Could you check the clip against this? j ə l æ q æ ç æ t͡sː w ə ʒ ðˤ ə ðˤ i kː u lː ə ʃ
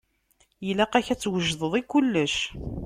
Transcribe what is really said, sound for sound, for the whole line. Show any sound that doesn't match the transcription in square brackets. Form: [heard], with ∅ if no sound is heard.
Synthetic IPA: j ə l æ q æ ç æ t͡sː w ə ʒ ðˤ ə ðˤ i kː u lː ə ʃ